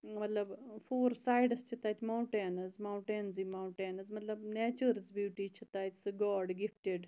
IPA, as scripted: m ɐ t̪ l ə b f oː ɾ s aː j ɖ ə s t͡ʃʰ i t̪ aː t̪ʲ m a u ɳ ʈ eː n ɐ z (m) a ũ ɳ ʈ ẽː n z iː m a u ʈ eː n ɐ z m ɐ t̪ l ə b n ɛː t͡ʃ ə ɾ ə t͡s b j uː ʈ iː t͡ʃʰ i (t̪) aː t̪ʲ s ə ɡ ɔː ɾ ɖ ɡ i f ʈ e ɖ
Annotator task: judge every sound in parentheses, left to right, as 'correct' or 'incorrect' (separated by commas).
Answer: correct, correct